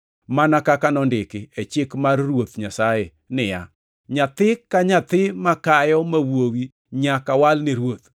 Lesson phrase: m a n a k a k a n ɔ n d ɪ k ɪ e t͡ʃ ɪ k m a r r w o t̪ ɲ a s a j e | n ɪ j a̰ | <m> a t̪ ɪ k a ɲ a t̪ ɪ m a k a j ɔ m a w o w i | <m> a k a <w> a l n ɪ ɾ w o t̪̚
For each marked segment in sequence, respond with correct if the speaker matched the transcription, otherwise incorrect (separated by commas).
incorrect, incorrect, correct